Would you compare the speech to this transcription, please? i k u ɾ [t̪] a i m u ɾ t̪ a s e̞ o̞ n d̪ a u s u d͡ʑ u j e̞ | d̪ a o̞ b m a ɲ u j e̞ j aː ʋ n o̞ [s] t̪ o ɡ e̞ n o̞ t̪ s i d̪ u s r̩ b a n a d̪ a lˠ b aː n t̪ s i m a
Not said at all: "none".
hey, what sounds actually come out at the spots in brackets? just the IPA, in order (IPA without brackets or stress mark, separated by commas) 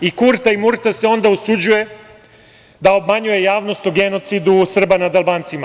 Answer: t̪, s